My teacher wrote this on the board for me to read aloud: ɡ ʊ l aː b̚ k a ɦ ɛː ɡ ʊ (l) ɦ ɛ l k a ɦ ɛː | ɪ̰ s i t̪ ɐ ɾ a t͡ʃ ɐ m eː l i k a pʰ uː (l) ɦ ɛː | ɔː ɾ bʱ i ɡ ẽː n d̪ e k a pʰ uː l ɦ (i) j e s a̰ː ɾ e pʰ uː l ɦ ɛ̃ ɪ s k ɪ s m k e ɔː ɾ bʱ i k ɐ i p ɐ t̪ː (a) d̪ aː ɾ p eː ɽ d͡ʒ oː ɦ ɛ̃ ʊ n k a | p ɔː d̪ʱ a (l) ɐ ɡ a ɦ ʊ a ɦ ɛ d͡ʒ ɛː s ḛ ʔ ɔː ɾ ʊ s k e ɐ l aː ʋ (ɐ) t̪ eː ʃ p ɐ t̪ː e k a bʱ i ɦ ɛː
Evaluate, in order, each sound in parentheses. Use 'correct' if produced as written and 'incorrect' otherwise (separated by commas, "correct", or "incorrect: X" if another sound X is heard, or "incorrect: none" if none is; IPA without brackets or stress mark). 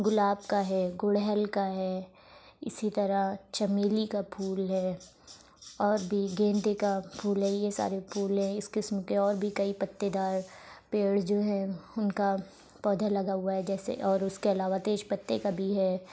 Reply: incorrect: ɽ, correct, incorrect: ɛ, incorrect: e, correct, incorrect: a